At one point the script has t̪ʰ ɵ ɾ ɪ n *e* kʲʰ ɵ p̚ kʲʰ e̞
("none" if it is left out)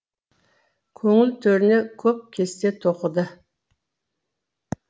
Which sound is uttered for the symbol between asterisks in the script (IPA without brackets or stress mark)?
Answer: e